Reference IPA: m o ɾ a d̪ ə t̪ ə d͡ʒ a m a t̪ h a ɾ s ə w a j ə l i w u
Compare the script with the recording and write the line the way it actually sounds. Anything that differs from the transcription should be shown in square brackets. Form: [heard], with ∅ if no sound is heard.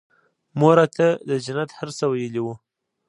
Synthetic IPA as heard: m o ɾ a [t̪] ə [d̪] ə d͡ʒ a [n] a t̪ h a ɾ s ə w a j ə l i w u